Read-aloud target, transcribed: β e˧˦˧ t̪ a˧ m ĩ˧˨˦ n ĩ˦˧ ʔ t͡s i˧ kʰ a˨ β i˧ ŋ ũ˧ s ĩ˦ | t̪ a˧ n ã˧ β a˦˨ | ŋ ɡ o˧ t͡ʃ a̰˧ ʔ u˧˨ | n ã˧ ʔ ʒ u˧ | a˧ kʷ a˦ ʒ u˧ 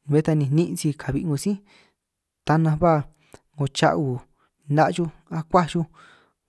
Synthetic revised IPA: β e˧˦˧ t̪ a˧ n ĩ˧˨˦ n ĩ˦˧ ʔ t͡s i˧ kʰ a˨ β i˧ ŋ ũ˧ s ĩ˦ | t̪ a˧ n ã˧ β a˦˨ | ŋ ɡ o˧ t͡ʃ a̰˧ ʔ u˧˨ | n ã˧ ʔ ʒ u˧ | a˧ kʷ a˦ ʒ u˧